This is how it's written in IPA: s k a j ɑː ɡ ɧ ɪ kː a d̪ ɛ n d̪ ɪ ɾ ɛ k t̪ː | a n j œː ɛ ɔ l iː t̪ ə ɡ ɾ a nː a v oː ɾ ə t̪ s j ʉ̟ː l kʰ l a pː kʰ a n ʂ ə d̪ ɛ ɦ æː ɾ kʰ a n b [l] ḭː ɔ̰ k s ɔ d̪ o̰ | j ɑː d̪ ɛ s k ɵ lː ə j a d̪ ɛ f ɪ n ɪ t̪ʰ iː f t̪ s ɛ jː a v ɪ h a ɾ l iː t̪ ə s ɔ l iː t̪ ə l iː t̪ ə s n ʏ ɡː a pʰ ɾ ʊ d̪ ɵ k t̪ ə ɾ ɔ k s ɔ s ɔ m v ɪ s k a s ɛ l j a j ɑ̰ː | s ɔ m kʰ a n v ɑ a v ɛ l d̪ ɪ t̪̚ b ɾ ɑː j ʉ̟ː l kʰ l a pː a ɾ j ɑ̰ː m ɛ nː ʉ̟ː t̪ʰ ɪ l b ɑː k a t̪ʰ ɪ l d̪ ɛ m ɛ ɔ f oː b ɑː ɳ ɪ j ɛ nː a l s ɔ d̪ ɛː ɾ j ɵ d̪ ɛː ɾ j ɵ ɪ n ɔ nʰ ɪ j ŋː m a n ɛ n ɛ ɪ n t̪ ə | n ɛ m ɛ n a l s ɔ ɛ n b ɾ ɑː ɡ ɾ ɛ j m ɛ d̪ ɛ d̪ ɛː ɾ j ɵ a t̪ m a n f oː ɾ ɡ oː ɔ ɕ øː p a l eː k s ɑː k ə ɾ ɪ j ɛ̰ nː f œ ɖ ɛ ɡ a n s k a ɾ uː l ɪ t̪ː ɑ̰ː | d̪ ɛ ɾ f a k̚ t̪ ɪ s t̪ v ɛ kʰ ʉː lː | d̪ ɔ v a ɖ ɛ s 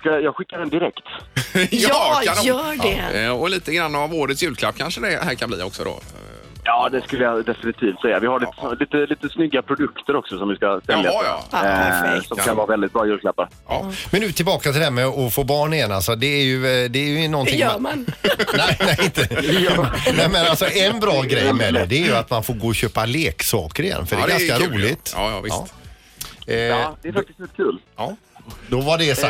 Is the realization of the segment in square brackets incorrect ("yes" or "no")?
no